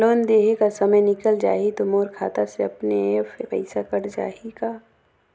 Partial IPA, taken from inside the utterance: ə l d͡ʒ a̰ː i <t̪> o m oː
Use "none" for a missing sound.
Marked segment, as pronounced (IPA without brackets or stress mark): t̪